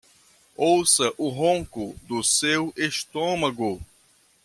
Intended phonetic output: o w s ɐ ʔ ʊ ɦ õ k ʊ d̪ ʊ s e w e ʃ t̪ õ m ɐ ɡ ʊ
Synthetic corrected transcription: o w s ɐ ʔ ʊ ɦ õ k ʊ d̪ ʊ s e w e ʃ t̪ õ m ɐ ɡ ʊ